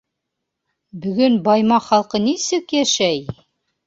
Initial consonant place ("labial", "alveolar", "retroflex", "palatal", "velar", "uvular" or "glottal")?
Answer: labial